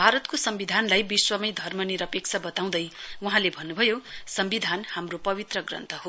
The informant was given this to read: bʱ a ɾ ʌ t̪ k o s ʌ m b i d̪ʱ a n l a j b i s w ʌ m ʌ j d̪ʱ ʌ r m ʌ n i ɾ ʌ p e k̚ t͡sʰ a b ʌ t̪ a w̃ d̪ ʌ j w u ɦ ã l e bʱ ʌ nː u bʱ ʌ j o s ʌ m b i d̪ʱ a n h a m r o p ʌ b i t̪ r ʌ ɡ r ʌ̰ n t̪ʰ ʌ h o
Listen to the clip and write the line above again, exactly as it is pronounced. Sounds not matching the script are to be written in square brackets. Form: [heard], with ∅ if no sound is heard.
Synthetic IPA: bʱ a ɾ ʌ t̪ k o s ʌ m b i d̪ʱ a n l a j b i s w ʌ m ʌ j d̪ʱ ʌ r m ʌ n i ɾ ʌ p e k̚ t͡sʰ a b ʌ t̪ a w̃ d̪ ʌ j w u ɦ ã l e bʱ ʌ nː u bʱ ʌ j o s ʌ m b i d̪ʱ a n h a m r o p ʌ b i t̪ r ʌ ɡ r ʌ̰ n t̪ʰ ʌ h o